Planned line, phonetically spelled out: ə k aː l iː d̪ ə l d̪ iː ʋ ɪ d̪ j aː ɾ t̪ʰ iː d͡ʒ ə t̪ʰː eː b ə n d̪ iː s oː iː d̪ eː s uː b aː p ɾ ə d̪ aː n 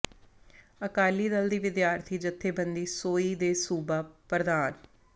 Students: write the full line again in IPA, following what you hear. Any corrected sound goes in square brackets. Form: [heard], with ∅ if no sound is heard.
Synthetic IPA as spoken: ə k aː l iː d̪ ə l d̪ iː ʋ ɪ d̪ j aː ɾ t̪ʰ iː d͡ʒ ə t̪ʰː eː b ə n d̪ iː s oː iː d̪ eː s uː b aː p ɾ ə d̪ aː n